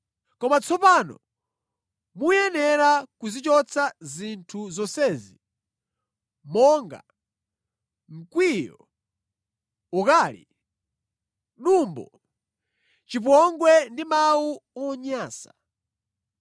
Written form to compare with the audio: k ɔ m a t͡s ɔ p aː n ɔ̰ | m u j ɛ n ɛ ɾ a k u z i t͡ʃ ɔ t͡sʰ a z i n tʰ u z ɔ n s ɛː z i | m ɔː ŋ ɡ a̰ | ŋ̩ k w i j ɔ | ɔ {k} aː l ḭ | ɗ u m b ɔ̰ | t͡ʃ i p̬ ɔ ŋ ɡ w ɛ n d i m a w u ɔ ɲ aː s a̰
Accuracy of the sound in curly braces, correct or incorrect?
correct